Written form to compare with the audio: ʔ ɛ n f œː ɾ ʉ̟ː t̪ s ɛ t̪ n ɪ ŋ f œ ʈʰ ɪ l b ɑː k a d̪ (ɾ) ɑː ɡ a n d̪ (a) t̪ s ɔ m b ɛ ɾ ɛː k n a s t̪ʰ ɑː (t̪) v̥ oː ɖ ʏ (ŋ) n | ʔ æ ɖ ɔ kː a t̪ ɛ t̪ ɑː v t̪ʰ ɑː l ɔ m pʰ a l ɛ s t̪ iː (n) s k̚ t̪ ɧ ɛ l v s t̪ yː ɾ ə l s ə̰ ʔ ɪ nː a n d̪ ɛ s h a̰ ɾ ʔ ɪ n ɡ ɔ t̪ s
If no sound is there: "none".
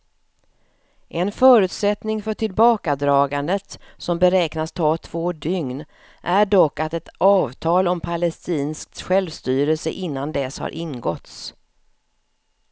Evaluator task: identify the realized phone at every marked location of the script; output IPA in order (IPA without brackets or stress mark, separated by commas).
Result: ɾ, ə, t̪ʰ, ŋ, n